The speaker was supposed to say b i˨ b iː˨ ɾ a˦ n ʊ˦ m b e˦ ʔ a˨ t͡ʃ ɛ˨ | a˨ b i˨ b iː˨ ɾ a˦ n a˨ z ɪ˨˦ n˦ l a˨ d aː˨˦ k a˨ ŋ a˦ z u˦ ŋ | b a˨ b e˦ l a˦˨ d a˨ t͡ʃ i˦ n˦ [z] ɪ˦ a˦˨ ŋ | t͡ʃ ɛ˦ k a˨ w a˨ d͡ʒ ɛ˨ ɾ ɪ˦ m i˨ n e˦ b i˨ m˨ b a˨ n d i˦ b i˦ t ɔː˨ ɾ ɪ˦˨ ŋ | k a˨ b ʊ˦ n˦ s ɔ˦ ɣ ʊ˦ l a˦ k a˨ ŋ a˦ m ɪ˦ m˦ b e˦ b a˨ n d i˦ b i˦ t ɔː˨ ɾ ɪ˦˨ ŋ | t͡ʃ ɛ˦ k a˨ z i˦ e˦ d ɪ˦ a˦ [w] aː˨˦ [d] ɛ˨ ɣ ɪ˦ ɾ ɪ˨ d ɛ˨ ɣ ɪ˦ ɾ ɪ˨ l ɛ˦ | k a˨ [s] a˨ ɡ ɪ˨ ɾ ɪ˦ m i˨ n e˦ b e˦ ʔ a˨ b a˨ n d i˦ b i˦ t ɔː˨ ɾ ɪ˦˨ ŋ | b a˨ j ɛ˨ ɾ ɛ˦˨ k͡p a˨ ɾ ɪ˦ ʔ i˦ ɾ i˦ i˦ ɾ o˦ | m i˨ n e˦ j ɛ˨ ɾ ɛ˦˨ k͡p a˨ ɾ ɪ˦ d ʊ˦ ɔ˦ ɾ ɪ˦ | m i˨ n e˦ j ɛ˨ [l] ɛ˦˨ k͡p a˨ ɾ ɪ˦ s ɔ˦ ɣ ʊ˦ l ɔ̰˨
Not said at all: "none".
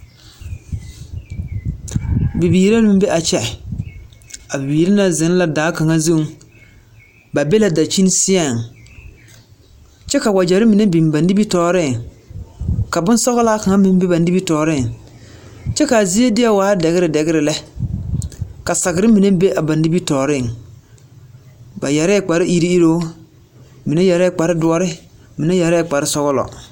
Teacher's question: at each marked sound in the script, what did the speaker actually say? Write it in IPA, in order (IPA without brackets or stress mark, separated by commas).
s, w, d, s, ɾ